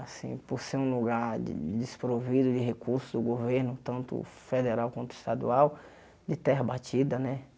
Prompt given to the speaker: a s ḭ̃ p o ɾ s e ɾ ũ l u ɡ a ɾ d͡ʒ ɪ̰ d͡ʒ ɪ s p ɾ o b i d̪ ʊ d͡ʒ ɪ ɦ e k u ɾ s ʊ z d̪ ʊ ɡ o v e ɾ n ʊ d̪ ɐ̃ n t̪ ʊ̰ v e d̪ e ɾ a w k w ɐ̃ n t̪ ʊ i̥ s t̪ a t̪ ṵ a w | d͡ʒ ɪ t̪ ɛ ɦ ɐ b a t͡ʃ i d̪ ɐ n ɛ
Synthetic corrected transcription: a s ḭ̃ p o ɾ s e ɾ ũ l u ɡ a ɾ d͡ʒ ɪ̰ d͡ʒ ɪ s p ɾ o v i d̪ ʊ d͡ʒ ɪ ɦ e k u ɾ s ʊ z d̪ ʊ ɡ o v e ɾ n ʊ t̪ ɐ̃ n t̪ ʊ̰ f e d̪ e ɾ a w k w ɐ̃ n t̪ ʊ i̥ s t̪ a d̪ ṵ a w | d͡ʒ ɪ t̪ ɛ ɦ ɐ b a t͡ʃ i d̪ ɐ n ɛ

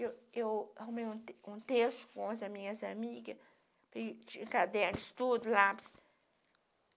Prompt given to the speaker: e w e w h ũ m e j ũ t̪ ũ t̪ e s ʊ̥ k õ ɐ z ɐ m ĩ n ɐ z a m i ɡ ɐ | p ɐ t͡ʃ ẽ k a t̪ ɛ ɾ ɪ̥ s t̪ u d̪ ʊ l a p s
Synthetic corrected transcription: e w e w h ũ m e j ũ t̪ ũ t̪ e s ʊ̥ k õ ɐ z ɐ m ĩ ɲ ɐ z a m i ɡ ɐ | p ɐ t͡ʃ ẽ k a d̪ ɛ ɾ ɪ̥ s t̪ u d̪ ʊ l a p s

